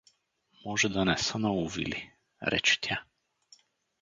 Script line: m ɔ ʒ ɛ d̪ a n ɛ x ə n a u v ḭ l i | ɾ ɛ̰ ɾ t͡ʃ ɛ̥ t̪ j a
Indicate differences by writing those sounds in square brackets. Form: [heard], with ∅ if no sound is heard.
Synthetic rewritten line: m ɔ ʒ ɛ d̪ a n ɛ [s] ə n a u v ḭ l i | ɾ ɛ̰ [∅] t͡ʃ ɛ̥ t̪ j a